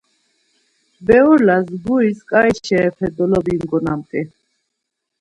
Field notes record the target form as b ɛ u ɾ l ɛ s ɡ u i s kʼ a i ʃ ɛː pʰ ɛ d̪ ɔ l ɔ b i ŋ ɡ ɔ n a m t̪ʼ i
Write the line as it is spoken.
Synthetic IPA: b ɛ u ɾ l a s ɡ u i s kʼ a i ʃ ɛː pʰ ɛ d̪ ɔ l ɔ b i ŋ ɡ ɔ n a m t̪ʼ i